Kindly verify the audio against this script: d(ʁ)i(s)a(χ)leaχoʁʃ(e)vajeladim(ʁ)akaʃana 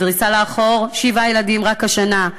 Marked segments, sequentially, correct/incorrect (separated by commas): correct, correct, incorrect, incorrect, correct